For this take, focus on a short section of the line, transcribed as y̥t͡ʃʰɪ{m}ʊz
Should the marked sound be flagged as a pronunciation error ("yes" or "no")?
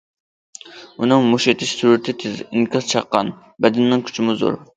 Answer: no